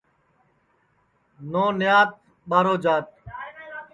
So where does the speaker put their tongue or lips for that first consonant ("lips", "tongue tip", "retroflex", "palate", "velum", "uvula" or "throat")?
tongue tip